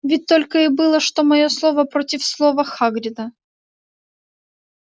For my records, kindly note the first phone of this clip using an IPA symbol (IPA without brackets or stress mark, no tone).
vʲ